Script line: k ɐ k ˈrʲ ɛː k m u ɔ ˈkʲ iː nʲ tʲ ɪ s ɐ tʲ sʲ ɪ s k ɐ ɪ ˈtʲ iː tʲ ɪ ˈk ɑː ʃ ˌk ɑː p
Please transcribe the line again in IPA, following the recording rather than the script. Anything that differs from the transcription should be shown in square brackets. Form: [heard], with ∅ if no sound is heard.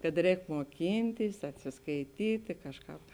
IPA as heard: k ɐ [t] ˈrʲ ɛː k m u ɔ ˈkʲ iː nʲ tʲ ɪ s ɐ tʲ sʲ ɪ s k ɐ ɪ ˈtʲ iː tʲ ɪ ˈk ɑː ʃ ˌk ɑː p